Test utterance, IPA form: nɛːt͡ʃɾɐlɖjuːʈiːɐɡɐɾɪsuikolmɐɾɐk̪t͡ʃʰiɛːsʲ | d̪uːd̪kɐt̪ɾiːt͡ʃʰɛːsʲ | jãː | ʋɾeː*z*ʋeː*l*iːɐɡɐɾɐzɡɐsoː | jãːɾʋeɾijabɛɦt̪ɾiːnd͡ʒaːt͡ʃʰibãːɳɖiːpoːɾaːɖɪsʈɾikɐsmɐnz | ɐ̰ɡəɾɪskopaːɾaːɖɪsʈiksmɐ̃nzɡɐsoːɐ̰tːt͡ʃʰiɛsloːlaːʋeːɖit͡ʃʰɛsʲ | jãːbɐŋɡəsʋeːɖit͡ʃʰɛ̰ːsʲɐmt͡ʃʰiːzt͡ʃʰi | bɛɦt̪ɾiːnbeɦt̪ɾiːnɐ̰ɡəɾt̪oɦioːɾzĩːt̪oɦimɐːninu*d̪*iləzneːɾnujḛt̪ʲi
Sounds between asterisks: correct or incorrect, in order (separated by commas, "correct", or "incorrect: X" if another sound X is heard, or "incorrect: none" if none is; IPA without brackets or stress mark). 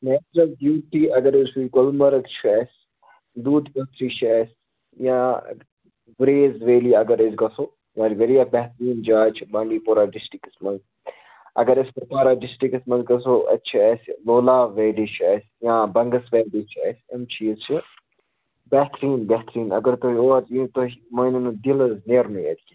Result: correct, correct, correct